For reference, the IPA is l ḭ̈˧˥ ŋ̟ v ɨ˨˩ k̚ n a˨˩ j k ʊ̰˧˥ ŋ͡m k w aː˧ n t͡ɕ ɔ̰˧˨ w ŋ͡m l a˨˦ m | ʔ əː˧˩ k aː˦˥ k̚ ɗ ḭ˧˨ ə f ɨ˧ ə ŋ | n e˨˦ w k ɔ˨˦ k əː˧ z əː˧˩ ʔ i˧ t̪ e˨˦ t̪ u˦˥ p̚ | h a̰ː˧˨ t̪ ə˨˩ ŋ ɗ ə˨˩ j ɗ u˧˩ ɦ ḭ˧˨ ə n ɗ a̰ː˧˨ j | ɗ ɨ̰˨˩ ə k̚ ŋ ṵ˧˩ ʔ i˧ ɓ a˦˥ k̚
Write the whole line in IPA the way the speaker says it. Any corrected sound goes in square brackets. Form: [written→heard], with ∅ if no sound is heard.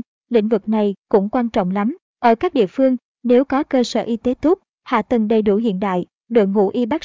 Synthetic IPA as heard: l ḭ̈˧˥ ŋ̟ v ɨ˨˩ k̚ n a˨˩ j k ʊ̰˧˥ ŋ͡m k w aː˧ n t͡ɕ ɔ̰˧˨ w ŋ͡m l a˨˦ m | ʔ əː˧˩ k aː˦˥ k̚ ɗ ḭ˧˨ ə f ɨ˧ ə ŋ | n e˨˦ w k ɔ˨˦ k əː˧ [z→s] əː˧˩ ʔ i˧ t̪ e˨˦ t̪ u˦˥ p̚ | h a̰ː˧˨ t̪ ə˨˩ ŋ ɗ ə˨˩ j ɗ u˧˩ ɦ ḭ˧˨ ə n ɗ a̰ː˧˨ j | ɗ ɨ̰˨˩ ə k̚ ŋ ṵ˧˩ ʔ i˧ ɓ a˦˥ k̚